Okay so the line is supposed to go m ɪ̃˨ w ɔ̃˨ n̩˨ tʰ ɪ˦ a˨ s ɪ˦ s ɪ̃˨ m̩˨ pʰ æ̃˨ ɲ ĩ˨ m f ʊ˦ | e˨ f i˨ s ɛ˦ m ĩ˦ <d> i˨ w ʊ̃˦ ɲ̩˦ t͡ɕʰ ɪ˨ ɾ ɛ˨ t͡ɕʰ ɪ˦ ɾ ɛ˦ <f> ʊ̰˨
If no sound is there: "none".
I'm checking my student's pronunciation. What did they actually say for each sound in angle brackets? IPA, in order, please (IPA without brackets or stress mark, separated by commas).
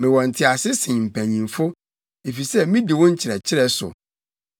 d, s